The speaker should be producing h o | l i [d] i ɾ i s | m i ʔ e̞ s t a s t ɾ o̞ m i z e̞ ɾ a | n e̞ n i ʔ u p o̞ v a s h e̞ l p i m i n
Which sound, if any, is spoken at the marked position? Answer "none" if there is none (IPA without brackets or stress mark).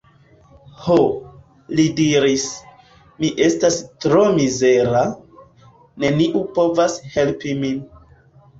d